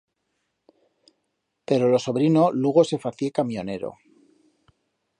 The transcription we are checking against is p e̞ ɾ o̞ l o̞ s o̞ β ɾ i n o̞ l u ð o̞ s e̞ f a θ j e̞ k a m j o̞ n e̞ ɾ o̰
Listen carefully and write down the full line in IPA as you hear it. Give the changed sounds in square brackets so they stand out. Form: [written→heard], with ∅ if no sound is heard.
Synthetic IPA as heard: p e̞ ɾ o̞ l o̞ s o̞ β ɾ i n o̞ l u [ð→ɣ] o̞ s e̞ f a θ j e̞ k a m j o̞ n e̞ ɾ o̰